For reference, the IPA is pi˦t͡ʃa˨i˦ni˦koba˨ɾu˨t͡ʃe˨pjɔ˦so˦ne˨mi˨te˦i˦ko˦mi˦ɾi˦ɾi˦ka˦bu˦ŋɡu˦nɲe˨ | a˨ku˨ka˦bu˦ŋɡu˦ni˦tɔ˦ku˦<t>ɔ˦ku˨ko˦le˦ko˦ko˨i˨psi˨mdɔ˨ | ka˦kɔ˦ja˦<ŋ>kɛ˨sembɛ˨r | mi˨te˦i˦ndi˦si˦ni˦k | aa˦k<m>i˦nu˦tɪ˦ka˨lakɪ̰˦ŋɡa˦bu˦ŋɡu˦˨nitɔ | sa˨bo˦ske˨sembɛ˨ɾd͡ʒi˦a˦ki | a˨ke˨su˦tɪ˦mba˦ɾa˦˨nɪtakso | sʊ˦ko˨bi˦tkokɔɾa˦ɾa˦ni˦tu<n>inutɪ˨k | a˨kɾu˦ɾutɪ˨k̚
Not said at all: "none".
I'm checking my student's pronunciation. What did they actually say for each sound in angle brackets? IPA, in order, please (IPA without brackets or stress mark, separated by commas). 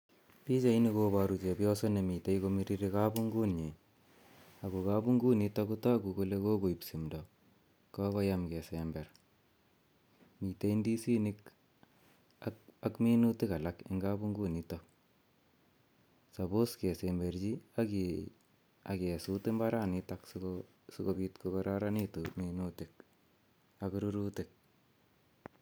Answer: t, m, m, m